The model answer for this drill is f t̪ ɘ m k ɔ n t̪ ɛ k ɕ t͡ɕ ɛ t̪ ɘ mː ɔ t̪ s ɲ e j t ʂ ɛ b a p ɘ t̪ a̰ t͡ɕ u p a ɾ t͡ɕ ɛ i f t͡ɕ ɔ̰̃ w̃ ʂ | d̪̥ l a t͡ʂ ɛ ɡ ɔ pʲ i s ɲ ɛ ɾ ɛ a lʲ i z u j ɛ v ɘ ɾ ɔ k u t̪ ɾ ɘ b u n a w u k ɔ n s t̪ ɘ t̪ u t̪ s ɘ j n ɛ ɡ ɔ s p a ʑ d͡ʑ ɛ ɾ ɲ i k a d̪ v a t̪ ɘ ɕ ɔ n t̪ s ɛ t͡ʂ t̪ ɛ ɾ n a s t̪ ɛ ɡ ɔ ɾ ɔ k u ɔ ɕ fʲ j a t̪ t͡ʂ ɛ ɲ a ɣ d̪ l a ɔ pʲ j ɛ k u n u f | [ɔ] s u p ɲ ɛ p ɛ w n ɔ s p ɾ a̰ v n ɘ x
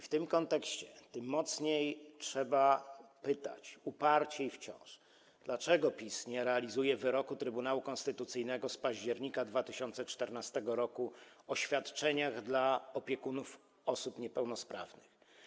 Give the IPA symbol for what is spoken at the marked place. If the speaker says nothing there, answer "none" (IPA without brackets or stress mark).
ɔ